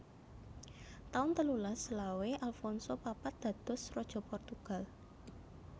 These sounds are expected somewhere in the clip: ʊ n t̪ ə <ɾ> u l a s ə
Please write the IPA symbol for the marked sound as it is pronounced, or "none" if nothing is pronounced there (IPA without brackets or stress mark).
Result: l